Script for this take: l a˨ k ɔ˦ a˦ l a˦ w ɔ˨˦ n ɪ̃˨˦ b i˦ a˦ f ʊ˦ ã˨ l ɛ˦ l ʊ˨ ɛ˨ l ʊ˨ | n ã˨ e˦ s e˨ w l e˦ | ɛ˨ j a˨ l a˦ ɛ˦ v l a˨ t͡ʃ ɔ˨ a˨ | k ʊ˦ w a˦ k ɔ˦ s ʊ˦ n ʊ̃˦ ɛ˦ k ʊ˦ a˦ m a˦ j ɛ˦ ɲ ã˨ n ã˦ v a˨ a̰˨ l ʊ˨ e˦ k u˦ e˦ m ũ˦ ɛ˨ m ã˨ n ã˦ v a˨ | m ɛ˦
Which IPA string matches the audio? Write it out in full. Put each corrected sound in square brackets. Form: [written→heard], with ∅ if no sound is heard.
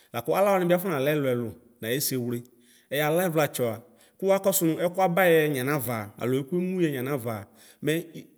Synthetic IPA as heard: l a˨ k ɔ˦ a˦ l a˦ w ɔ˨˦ n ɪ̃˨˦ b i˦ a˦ f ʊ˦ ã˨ l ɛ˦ l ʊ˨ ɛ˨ l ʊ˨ | n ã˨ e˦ s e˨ w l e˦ | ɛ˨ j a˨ l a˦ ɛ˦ v l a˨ t͡ʃ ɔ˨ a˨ | k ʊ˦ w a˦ k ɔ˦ s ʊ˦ n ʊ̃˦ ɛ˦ k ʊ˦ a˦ [m→b] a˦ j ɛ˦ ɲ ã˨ n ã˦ v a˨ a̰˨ l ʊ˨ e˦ k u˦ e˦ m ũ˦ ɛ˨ [m→ɲ] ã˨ n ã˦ v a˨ | m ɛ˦